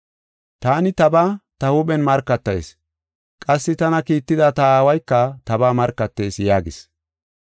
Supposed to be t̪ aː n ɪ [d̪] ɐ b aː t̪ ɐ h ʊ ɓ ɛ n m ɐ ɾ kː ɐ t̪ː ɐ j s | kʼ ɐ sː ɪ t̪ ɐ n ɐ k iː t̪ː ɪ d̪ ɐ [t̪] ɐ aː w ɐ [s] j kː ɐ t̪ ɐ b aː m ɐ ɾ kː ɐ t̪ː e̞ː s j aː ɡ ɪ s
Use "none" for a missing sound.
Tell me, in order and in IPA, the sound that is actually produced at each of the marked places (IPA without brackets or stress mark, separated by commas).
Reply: t̪, t̪, none